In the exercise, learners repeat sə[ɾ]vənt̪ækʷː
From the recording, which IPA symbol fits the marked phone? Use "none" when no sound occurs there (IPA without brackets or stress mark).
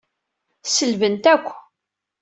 l